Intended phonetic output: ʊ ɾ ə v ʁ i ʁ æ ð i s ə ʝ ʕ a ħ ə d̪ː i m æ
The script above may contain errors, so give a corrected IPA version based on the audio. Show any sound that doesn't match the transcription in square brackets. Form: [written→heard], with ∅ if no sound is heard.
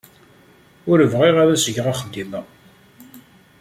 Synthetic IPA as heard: ʊ ɾ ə v ʁ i ʁ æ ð [i→æ] s ə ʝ [ʕ→ʁ] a [ħ→χ] ə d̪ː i m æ